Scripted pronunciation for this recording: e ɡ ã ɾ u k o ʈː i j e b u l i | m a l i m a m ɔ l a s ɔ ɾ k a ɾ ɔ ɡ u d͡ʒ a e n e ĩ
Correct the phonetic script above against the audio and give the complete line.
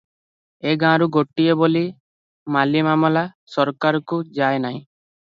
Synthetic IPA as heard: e ɡ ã ɾ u ɡ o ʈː i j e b o l i | m a l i m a m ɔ l a s ɔ ɾ k a ɾ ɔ k u d͡ʒ a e n a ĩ